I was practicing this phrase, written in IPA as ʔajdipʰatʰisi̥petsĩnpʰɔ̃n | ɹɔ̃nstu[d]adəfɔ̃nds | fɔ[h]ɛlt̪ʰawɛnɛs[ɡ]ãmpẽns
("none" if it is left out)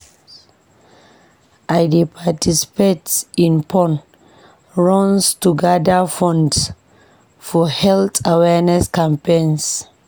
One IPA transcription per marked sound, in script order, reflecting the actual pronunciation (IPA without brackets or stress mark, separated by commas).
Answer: ɡ, h, k